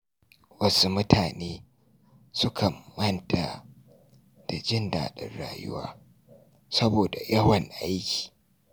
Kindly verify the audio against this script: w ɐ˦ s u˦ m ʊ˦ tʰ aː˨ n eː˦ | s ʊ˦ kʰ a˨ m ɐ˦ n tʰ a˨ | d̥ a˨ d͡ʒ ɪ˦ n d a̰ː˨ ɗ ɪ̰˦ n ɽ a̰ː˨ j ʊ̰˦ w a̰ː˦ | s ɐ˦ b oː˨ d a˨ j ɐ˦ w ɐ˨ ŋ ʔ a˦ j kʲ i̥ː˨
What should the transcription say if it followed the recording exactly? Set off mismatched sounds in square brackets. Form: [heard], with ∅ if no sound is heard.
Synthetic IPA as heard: w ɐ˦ s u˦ m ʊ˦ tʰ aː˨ n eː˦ | s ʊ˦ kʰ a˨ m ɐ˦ n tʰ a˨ | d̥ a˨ d͡ʒ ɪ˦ n d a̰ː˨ ɗ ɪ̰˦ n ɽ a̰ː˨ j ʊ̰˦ w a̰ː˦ | s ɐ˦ b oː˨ d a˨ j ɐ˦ w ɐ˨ ŋ ʔ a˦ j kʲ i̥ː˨